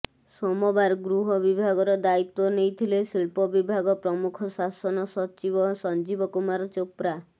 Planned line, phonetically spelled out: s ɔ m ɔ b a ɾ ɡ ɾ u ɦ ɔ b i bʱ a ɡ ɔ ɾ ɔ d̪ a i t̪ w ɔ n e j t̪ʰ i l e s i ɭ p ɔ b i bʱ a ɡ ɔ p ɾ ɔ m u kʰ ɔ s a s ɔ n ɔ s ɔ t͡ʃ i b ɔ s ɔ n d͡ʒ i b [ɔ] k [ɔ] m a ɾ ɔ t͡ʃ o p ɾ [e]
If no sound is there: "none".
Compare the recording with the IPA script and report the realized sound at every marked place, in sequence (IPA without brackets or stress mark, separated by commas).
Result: ɔ, u, a